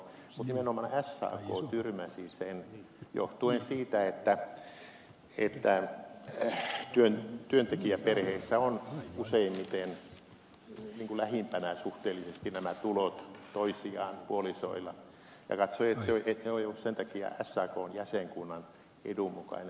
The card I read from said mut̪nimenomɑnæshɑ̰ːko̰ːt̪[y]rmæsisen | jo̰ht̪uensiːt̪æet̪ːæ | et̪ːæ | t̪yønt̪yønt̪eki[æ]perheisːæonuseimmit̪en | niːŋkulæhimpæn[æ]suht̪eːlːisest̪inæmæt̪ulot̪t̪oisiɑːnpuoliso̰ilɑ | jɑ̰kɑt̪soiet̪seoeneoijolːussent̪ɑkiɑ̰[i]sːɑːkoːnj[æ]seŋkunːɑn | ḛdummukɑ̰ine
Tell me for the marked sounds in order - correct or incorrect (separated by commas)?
correct, correct, correct, incorrect, correct